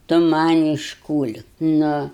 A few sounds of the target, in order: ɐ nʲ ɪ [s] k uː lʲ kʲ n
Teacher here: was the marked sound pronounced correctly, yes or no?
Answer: no